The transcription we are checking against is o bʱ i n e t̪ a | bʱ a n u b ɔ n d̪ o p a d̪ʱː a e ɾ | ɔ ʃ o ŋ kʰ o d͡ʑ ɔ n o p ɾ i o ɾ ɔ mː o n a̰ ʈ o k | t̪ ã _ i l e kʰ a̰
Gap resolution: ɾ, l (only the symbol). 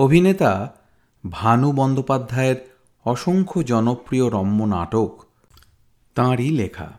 ɾ